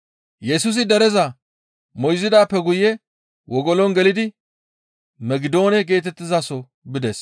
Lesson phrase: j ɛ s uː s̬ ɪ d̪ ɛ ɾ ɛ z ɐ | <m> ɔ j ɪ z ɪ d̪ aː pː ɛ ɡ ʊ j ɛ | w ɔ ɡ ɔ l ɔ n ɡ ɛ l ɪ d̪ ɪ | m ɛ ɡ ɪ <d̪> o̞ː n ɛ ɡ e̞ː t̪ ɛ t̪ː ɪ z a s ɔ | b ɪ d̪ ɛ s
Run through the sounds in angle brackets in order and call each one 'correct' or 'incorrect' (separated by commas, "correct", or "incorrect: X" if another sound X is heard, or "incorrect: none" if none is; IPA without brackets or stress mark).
correct, correct